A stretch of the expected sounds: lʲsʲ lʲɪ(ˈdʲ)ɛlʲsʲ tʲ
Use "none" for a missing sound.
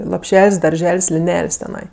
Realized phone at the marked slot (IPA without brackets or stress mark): nʲ